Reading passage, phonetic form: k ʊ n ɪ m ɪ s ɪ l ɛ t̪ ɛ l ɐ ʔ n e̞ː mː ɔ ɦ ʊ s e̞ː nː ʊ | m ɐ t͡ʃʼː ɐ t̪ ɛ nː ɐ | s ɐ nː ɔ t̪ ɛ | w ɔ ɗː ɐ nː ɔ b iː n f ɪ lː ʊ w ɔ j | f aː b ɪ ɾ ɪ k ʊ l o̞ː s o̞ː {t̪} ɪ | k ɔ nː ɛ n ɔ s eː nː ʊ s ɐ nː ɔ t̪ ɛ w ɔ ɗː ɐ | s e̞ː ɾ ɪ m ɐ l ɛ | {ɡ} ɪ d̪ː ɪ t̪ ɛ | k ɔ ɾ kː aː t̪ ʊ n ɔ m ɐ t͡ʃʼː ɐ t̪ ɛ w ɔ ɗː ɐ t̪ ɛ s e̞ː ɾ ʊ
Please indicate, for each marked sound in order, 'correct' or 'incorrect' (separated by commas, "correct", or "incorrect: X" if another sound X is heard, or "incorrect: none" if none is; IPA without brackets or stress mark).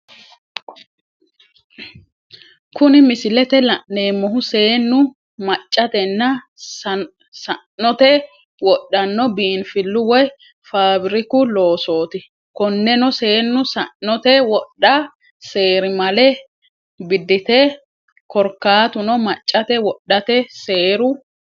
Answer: correct, incorrect: b